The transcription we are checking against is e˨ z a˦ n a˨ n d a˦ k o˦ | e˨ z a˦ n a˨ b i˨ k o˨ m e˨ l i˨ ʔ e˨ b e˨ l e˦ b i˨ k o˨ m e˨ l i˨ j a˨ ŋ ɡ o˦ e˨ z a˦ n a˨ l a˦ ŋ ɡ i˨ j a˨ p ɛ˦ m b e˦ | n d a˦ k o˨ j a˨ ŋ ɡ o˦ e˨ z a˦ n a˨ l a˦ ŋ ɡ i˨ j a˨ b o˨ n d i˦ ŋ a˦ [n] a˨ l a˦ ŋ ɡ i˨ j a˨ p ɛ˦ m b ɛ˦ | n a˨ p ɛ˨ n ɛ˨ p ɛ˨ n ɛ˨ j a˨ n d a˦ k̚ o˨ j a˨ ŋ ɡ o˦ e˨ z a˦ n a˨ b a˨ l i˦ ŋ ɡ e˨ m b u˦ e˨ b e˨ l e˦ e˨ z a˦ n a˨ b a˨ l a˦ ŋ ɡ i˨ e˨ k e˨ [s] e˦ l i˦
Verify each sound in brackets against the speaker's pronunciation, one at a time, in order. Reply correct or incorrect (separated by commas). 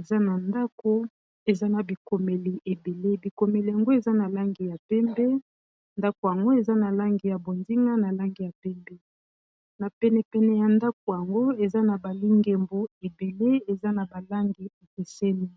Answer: correct, correct